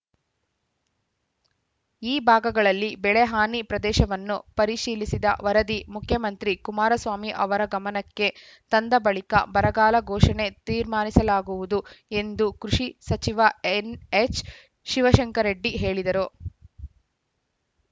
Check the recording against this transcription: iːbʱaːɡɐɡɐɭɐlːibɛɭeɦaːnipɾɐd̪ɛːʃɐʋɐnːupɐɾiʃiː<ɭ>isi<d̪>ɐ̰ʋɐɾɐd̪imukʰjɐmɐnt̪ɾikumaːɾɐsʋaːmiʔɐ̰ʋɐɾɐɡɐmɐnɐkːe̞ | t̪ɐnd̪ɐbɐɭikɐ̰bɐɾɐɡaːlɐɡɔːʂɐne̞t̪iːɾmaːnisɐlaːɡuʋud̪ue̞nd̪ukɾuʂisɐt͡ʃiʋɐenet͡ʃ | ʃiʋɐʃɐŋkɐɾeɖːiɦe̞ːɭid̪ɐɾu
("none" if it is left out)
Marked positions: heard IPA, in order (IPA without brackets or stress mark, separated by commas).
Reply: l, d̪